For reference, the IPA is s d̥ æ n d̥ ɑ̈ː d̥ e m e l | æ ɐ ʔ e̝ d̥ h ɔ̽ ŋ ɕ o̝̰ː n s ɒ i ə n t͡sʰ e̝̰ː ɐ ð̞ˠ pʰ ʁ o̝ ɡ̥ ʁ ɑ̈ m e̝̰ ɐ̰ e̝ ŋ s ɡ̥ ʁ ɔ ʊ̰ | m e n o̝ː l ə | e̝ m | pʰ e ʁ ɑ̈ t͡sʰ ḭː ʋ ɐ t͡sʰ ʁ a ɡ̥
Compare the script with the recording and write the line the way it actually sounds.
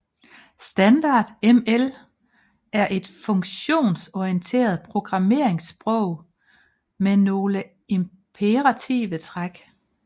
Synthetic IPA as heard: s d̥ æ n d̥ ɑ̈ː d̥ e m e l | æ ɐ ʔ e̝ d̥ f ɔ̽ ŋ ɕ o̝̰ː n s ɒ i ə n t͡sʰ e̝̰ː ɐ ð̞ˠ pʰ ʁ o̝ ɡ̥ ʁ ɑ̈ m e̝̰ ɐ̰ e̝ ŋ s b̥ ʁ ɔ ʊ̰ | m e n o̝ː l ə | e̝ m | pʰ e ʁ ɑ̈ t͡sʰ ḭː ʋ ə t͡sʰ ʁ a ɡ̥